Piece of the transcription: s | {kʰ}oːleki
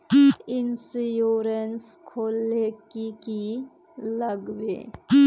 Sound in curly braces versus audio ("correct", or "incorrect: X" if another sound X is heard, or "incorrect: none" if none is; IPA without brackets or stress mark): correct